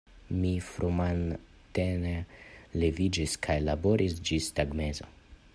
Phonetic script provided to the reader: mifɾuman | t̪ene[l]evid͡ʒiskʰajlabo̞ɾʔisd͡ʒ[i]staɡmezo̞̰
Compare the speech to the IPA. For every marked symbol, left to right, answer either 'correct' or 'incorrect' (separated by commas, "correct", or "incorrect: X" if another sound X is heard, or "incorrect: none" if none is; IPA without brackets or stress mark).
correct, correct